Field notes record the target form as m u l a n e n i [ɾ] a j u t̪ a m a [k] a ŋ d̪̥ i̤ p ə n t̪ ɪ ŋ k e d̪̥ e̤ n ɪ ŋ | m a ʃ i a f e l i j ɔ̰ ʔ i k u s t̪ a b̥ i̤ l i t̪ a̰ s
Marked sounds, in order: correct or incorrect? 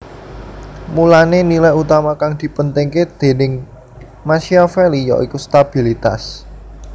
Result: incorrect, correct

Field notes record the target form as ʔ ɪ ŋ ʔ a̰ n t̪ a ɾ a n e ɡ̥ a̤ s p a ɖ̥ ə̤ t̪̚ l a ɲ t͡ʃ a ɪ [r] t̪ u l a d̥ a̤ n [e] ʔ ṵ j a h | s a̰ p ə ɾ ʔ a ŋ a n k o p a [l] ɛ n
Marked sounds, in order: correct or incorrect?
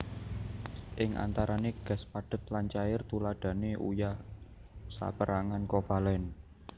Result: correct, correct, correct

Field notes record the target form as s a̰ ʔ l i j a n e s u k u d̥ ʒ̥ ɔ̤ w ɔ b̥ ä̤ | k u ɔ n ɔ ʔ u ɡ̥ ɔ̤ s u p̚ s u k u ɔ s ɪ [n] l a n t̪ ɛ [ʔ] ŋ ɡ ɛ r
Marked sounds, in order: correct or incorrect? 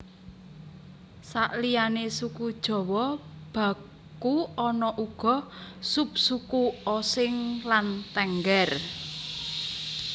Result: incorrect, incorrect

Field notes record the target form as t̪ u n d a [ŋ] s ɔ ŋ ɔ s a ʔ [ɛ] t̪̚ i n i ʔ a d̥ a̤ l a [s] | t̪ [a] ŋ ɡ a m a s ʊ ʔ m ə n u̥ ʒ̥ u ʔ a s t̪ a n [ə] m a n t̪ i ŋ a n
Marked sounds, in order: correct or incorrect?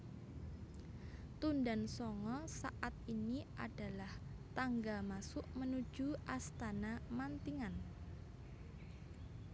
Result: incorrect, incorrect, incorrect, correct, incorrect

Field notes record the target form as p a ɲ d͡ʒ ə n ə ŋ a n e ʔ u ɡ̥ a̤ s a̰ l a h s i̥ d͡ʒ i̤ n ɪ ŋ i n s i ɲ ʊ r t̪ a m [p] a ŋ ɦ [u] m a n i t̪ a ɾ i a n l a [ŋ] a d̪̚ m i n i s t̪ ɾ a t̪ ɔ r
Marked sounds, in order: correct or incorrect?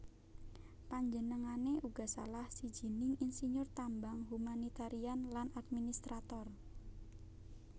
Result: incorrect, correct, incorrect

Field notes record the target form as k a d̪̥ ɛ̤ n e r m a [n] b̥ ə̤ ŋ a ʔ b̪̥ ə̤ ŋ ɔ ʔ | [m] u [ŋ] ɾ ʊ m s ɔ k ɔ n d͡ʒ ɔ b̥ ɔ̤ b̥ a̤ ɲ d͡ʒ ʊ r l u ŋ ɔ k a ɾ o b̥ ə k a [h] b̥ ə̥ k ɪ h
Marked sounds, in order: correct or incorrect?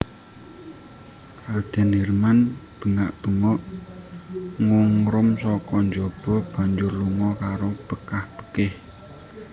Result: correct, incorrect, correct, correct

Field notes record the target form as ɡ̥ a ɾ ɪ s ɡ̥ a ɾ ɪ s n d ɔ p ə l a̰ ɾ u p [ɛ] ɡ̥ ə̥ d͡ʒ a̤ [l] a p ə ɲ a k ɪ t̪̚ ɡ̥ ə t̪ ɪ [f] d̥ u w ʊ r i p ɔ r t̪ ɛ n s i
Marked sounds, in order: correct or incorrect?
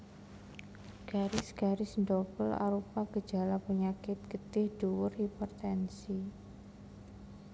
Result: incorrect, correct, incorrect

